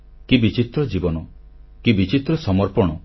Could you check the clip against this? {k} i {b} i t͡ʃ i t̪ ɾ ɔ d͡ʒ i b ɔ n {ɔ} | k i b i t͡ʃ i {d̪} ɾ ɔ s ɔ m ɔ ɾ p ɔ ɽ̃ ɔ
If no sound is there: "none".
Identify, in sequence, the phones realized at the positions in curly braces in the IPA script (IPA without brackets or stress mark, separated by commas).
k, b, ɔ, t̪